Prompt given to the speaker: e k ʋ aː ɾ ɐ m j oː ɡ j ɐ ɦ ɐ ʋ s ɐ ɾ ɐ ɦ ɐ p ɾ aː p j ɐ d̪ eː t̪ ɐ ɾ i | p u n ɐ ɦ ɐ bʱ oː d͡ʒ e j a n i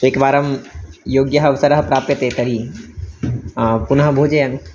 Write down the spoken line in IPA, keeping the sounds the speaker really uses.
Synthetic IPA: e k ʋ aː ɾ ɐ m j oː ɡ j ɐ ɦ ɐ ʋ s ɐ ɾ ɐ ɦ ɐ p ɾ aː p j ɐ t̪ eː t̪ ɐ ɾ i | p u n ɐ ɦ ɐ bʱ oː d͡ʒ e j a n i